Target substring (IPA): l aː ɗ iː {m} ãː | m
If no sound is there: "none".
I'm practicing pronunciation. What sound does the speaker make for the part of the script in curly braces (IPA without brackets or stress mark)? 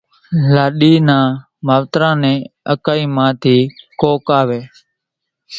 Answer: n